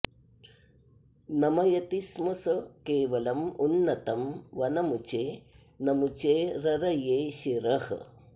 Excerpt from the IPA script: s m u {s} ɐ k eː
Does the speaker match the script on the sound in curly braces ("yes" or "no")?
yes